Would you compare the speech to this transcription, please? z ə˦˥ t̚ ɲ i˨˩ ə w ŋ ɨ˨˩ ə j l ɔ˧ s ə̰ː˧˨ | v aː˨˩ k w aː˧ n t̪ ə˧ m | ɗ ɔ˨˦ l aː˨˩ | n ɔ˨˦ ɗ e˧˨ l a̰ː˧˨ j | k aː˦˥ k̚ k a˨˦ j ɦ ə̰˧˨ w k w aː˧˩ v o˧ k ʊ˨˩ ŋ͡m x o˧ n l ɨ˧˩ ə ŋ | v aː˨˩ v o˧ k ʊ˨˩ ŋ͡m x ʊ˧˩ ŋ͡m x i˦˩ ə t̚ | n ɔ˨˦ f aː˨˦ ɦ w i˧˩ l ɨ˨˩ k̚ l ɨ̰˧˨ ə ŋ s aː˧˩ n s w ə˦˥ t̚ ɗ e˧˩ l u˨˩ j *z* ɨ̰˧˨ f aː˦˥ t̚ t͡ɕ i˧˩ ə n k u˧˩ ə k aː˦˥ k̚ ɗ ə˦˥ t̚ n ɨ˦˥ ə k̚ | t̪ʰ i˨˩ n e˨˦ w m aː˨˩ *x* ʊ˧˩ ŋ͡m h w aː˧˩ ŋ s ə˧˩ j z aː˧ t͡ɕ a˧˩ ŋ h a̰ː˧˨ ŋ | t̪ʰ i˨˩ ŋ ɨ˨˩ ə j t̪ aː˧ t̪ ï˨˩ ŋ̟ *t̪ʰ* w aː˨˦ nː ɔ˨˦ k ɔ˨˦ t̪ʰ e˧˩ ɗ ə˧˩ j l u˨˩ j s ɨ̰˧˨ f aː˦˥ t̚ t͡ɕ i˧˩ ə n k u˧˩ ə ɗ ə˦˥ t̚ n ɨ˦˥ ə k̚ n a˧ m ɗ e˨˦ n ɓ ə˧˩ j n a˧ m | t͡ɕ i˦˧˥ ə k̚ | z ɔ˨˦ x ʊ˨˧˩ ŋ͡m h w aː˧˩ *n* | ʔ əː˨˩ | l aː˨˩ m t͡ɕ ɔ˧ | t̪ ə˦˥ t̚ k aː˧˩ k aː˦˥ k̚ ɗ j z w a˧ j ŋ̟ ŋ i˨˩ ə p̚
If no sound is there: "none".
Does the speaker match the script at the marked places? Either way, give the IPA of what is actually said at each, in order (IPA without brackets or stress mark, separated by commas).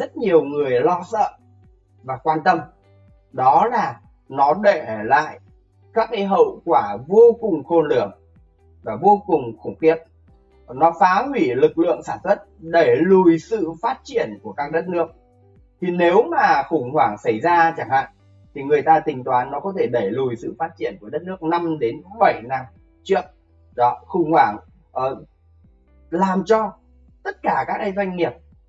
s, x, t̪, ŋ